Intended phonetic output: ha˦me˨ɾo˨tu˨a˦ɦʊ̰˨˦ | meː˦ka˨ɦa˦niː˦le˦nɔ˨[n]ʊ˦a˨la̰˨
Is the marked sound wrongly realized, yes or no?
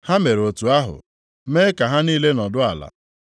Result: yes